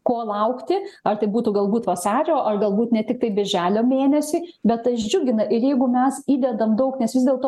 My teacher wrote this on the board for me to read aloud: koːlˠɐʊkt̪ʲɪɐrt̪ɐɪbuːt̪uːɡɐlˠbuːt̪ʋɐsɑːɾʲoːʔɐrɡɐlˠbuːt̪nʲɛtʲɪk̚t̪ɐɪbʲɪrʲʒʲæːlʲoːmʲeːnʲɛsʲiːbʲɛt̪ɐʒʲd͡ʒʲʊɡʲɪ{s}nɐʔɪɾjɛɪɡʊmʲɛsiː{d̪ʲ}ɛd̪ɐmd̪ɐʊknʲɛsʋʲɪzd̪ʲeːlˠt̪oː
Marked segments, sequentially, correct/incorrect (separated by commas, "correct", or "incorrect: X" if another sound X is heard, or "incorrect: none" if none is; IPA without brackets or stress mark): incorrect: none, correct